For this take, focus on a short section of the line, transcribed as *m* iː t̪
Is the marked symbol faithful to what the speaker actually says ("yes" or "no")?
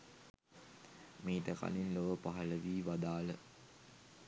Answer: yes